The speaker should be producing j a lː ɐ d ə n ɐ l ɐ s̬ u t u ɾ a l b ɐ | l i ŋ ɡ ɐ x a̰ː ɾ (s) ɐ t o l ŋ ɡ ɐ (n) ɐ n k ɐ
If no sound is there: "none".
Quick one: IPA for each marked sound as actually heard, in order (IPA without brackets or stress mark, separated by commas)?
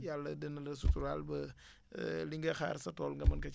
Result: s, m